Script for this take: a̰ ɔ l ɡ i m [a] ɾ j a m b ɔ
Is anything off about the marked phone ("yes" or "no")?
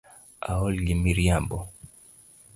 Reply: yes